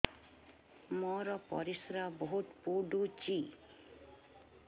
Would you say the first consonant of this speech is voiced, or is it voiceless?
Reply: voiced